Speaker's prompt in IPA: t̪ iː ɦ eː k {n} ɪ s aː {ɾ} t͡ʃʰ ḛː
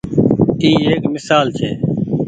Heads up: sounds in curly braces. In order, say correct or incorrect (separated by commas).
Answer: incorrect, incorrect